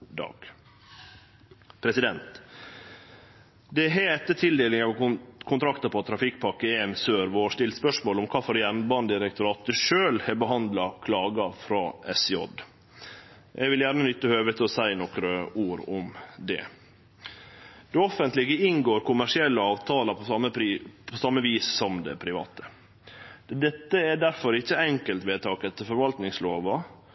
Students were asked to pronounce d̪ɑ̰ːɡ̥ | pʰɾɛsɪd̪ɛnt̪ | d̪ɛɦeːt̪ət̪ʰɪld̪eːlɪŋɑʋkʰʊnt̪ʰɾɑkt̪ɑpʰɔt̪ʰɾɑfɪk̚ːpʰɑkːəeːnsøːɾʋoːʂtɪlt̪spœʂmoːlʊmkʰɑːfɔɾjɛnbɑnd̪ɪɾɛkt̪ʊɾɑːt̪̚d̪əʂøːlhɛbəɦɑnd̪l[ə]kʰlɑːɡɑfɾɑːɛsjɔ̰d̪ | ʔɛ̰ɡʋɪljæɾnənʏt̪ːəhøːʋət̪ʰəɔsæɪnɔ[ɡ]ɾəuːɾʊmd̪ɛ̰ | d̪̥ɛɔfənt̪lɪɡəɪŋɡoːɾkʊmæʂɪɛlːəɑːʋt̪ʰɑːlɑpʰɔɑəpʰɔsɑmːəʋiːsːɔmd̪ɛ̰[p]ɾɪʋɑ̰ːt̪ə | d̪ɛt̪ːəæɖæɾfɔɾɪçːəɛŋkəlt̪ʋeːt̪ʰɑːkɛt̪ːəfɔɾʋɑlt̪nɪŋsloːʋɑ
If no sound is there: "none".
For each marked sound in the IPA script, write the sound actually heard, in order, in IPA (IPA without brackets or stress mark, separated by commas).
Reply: ɑ, k, pʰ